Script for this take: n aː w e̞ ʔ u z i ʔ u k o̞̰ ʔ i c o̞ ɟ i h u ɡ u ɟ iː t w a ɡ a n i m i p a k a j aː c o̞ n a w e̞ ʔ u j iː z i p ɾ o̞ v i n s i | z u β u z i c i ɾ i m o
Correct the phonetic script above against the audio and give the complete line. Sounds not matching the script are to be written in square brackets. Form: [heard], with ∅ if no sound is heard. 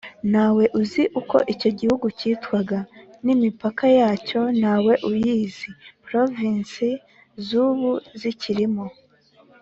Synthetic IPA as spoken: n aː w e̞ ʔ u z i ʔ u k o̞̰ ʔ i c o̞ ɟ i h u ɡ u [c] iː t w a ɡ a n i m i p a k a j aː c o̞ n a w e̞ ʔ u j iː z i p ɾ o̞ v i n s i | z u β u z i c i ɾ i m o